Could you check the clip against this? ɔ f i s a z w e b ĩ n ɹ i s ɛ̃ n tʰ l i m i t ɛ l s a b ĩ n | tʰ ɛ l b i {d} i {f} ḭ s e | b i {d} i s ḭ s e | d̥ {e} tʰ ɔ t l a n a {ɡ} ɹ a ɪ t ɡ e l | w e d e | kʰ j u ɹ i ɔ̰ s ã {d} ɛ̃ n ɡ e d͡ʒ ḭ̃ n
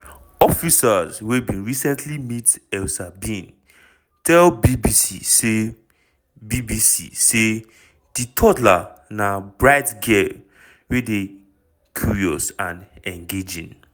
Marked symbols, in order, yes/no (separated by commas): no, no, no, no, no, no